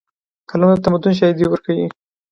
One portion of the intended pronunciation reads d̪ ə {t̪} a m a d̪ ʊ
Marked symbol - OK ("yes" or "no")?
yes